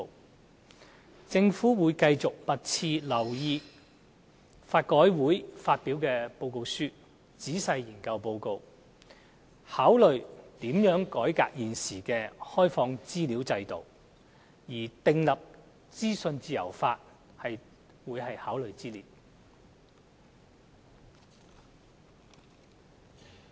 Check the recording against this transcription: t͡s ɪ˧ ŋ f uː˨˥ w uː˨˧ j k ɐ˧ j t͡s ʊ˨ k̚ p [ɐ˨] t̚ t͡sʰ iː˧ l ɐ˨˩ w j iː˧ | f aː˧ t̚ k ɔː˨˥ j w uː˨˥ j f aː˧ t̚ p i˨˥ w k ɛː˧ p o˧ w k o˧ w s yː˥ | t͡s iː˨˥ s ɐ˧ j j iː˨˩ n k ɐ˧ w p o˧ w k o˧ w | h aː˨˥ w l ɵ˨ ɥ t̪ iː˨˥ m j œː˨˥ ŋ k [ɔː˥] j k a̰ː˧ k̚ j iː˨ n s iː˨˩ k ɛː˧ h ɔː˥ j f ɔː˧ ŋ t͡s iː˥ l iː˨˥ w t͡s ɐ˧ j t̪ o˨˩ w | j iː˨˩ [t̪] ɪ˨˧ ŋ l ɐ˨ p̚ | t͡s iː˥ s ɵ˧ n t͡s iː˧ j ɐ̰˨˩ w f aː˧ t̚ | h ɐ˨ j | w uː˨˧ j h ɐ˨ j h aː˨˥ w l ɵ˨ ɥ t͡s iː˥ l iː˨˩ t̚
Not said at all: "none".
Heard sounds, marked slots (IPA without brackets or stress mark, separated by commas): ɐ˨, ɔː˨˥, t̪